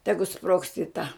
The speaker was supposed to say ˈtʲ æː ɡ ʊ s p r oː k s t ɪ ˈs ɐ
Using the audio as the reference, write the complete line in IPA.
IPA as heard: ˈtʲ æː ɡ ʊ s p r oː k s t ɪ ˈt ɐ